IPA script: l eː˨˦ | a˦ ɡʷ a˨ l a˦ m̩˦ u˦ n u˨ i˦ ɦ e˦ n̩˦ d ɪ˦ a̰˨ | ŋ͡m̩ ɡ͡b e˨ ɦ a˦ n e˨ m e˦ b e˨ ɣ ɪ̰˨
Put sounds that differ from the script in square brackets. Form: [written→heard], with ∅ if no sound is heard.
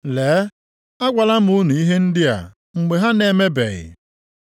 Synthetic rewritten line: l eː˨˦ | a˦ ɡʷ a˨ l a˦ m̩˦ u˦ n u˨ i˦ ɦ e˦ n̩˦ d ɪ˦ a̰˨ | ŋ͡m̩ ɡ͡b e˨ ɦ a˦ n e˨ m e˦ b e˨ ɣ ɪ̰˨